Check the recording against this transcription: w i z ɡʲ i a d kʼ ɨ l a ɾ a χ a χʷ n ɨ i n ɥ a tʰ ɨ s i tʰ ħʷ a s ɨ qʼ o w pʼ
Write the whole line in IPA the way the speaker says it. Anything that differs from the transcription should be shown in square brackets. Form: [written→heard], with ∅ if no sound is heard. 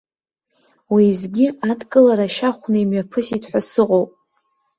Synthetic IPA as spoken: w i z ɡʲ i a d kʼ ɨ l a ɾ a [χ→ʃ] a χʷ n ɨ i [n→m] ɥ a [tʰ→pʰ] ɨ s i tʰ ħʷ a s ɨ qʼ o w pʼ